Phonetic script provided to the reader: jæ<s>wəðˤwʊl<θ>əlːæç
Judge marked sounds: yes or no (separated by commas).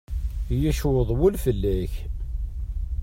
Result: no, no